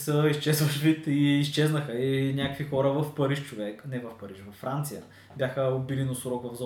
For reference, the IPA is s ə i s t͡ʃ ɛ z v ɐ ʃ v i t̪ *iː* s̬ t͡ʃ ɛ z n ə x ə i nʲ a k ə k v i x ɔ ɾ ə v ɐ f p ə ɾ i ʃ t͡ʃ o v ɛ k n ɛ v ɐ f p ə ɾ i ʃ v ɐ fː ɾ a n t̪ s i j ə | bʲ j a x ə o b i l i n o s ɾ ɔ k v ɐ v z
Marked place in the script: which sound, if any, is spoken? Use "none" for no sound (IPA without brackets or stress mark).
iː